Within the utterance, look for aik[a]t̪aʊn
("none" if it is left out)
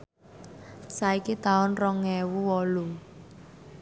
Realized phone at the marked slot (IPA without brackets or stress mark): i